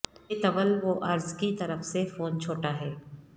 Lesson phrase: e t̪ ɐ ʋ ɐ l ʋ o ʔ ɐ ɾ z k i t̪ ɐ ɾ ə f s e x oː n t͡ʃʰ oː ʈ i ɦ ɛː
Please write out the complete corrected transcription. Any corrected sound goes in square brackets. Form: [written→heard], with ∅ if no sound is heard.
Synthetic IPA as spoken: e t̪ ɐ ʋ [ɐ→ə] l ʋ o ʔ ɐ ɾ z k i t̪ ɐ ɾ ə f s e [x→f] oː n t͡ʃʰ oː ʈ [i→a] ɦ ɛː